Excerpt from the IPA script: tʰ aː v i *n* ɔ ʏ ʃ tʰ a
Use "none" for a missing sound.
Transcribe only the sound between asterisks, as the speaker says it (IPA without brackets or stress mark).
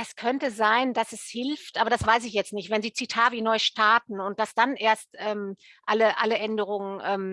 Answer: n